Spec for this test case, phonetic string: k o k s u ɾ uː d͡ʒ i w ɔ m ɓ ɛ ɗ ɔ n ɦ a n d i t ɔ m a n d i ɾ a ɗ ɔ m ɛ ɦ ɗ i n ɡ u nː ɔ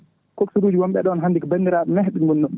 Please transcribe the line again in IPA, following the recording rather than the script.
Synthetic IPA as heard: k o k s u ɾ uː d͡ʒ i w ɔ m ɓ ɛ ɗ ɔ n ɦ a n d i k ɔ b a n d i ɾ a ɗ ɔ m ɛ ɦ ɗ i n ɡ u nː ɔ